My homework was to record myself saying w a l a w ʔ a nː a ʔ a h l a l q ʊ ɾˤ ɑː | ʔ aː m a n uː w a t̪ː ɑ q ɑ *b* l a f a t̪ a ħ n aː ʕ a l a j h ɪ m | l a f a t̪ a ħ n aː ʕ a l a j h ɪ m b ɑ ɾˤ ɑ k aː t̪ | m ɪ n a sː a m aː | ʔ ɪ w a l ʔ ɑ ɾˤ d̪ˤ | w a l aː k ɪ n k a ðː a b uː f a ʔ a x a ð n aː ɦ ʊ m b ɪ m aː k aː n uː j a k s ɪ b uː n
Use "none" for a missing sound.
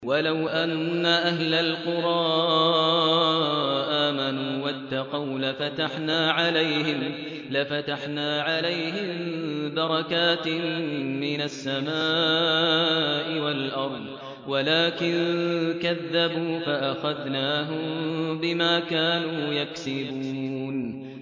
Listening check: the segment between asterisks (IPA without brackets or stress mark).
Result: w